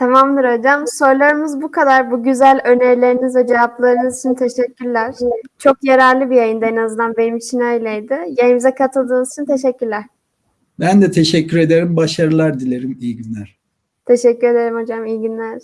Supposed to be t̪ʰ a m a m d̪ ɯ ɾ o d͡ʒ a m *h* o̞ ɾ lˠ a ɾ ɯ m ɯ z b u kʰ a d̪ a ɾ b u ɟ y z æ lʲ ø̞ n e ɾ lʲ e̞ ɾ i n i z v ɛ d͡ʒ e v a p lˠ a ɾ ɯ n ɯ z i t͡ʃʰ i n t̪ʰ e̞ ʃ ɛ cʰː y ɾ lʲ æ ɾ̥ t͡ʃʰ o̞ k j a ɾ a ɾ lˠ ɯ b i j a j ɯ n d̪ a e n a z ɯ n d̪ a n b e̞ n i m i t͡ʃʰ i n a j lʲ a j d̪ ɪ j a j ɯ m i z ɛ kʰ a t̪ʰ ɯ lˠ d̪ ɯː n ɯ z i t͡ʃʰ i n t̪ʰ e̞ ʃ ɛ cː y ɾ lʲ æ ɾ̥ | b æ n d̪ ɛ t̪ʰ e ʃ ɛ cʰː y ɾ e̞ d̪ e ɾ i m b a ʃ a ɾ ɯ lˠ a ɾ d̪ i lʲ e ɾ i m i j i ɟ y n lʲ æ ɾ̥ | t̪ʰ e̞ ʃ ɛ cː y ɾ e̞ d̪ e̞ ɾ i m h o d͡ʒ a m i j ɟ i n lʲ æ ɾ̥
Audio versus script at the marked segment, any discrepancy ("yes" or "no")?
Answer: yes